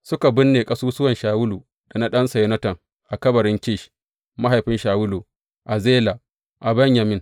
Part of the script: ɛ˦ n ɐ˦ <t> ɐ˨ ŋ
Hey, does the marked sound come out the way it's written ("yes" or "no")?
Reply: yes